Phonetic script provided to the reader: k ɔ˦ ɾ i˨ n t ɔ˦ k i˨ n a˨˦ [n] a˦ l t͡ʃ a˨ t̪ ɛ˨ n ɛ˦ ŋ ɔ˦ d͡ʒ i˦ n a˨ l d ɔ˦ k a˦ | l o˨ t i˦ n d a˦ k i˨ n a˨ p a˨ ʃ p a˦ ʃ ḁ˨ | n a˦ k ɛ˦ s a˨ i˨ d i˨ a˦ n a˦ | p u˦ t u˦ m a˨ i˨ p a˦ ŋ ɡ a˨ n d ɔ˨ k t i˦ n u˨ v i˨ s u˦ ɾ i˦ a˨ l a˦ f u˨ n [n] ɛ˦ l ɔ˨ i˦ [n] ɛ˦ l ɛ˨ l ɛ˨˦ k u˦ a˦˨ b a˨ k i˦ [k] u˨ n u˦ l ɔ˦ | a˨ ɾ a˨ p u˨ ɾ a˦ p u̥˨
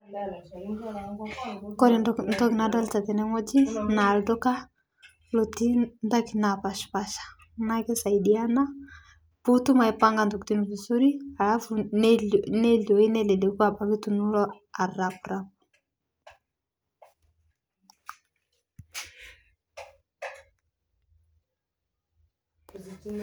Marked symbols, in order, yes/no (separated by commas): no, yes, yes, no